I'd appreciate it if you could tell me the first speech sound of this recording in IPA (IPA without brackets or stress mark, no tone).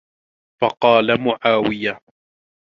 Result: f